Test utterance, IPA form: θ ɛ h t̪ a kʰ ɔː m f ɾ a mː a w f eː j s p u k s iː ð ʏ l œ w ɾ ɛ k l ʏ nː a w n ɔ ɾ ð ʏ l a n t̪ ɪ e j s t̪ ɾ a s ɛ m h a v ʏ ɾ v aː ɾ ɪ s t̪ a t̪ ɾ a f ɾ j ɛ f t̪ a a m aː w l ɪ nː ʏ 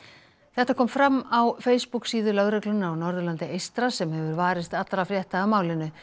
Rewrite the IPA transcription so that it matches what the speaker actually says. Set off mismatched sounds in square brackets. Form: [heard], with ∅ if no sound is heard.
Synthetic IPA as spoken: θ ɛ h t̪ a kʰ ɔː m f ɾ a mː a w f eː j s p u k s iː ð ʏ l œ [ɣ] ɾ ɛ k l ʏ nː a w n ɔ ɾ ð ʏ l a n t̪ ɪ e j s t̪ ɾ a s ɛ m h [ɛ] v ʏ ɾ v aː ɾ ɪ s t̪ a t̪ ɾ a f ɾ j ɛ [h] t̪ a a m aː w l ɪ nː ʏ

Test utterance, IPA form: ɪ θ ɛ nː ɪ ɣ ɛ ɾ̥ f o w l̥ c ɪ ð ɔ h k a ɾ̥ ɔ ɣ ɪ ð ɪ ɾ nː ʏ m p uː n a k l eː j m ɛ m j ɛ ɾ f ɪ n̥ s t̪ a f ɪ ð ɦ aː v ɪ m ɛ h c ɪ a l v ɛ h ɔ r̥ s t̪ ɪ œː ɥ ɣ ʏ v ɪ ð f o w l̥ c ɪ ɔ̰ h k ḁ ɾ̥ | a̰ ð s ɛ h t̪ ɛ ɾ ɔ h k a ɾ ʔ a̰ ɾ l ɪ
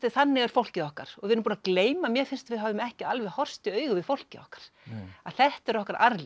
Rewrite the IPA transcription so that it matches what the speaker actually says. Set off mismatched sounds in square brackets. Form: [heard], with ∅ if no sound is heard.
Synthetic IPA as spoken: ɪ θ [a] nː ɪ ɣ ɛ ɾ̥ f o w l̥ c ɪ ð ɔ h k a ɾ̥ ɔ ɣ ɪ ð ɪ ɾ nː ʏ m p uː n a k l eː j m [a] m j ɛ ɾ f ɪ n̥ s t̪ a [v] ɪ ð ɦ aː v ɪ m ɛ h c ɪ a l v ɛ h ɔ r̥ s t̪ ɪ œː ɥ ɣ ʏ v ɪ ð f o w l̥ c ɪ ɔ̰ h k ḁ ɾ̥ | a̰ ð [θ] ɛ h t̪ ɛ ɾ ɔ h k a ɾ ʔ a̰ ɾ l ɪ

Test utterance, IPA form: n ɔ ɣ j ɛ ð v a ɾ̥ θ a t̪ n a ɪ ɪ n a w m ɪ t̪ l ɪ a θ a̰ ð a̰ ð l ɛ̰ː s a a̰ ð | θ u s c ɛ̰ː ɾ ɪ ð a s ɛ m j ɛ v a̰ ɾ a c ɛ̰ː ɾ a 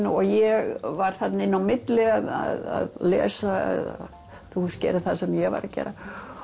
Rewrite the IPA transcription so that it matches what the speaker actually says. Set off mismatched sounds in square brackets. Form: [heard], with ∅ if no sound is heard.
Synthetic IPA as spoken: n ɔ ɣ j ɛ [ɣ] v a ɾ̥ θ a t̪ n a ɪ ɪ n a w m ɪ t̪ l ɪ a [ð] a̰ ð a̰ ð l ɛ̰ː s a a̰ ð | θ u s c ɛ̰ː ɾ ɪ [θ] a s ɛ m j ɛ v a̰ ɾ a c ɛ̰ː ɾ a

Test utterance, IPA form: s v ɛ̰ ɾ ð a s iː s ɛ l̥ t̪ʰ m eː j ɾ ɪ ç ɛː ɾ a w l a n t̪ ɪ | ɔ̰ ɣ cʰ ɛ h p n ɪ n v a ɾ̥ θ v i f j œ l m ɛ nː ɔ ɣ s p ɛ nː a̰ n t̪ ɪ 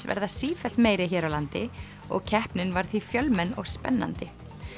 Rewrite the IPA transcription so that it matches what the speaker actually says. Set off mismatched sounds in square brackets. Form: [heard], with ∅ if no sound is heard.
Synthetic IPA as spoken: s v ɛ̰ ɾ ð a s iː [f] ɛ l̥ [t̪] m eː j ɾ ɪ ç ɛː ɾ a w l a n t̪ ɪ | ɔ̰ ɣ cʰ ɛ h p n ɪ n v a ɾ̥ θ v i f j œ l m ɛ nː ɔ ɣ s p ɛ nː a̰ n t̪ ɪ

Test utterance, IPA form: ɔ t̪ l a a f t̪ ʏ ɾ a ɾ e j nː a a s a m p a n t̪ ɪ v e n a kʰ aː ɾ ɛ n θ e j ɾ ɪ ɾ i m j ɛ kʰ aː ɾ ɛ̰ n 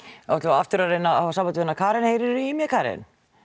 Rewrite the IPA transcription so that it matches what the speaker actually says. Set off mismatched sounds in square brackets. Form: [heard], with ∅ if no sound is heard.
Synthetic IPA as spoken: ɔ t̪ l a a f t̪ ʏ ɾ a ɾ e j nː a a s a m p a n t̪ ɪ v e n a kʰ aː ɾ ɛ n [h] e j ɾ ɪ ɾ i m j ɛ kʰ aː ɾ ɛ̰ n

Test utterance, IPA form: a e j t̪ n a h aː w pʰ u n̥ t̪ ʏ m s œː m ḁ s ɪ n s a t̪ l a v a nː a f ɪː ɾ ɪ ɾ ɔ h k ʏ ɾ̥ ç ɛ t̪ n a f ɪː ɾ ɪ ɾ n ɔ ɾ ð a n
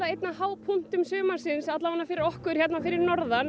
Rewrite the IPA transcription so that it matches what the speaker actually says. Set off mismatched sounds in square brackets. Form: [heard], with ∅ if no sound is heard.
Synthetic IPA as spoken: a e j t̪ n a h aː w pʰ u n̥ t̪ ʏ m s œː m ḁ s ɪ n s a t̪ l a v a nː a f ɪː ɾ ɪ ɾ ɔ h k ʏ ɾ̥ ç ɛ t̪ n a f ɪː ɾ ɪ ɾ n ɔ ɾ ð a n

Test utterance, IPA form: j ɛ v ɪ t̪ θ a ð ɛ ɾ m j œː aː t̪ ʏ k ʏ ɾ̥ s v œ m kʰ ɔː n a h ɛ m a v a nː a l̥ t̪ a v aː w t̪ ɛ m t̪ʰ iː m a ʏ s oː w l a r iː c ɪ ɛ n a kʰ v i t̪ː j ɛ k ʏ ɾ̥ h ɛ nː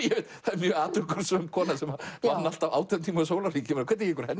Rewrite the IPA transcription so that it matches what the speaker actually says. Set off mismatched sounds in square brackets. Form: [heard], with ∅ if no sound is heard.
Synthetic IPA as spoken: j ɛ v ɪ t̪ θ a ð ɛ ɾ m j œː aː t̪ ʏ k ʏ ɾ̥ s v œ m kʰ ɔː n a [s] ɛ m a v a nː a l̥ t̪ a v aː w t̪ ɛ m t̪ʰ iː m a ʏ s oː w l a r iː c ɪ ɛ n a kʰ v [ɛ] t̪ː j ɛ k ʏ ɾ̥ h ɛ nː

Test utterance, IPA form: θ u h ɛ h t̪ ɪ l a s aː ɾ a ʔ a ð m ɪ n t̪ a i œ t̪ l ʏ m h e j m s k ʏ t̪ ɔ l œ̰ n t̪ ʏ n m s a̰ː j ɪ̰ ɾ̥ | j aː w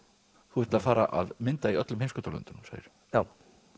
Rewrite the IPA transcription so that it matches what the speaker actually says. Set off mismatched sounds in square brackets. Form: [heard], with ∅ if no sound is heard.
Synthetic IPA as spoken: θ u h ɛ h t̪ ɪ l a [f] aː ɾ a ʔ a ð m ɪ n t̪ a i œ t̪ l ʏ m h e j m s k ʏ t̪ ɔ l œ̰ n t̪ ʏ n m s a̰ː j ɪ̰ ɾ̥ | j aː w

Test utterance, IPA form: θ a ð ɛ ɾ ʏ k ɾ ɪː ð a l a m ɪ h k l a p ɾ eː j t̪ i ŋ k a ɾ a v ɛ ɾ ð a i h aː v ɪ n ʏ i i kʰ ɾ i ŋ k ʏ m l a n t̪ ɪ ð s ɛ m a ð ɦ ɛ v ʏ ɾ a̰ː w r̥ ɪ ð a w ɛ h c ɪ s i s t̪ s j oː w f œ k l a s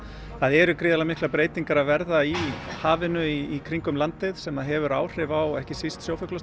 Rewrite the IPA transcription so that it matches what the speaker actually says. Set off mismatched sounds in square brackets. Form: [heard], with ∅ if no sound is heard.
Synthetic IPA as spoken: θ a ð ɛ ɾ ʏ k ɾ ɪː ð a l a m ɪ h k l a p ɾ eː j t̪ i ŋ k a ɾ a v ɛ ɾ ð a i h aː v ɪ n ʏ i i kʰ ɾ i ŋ k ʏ m l a n t̪ ɪ ð s ɛ m a ð ɦ ɛ v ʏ ɾ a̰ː w r̥ ɪ [v] a w ɛ h c ɪ s i s t̪ s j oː w f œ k l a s

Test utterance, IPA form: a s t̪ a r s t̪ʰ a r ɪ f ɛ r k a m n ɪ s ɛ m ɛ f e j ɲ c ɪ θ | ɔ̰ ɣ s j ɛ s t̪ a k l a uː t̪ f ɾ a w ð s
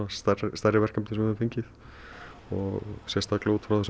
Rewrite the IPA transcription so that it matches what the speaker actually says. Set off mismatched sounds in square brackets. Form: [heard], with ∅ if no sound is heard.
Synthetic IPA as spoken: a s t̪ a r s [t̪] a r ɪ [v] ɛ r k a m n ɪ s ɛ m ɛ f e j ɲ c ɪ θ | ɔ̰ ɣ s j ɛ s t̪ a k l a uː t̪ f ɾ a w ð s

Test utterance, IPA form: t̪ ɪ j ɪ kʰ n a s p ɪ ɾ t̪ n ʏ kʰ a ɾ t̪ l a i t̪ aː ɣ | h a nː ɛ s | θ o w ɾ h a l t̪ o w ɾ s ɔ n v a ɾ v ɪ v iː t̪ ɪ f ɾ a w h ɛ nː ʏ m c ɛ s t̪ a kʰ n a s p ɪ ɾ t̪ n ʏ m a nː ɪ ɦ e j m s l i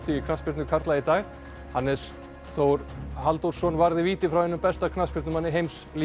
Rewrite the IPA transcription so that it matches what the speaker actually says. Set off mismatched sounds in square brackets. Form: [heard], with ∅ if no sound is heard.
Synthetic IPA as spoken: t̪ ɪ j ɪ kʰ n a s p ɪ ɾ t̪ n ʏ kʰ a ɾ t̪ l a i t̪ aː ɣ | h a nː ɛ s | θ o w ɾ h a l t̪ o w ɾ s ɔ n v a ɾ [ð] ɪ v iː t̪ ɪ f ɾ a w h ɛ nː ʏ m [p] ɛ s t̪ a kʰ n a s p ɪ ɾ t̪ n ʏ m a nː ɪ ɦ e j m s l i

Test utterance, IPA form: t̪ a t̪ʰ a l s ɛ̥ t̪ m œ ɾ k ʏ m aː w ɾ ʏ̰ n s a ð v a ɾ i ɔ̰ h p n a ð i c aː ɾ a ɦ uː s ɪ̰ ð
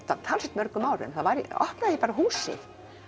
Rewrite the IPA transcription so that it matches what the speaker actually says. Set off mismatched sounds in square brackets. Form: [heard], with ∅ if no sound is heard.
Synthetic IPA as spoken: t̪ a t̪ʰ a l s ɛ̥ t̪ m œ ɾ k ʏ m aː w ɾ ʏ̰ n [θ] a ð v a ɾ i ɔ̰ h p n a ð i [p] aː ɾ a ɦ uː s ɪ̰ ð

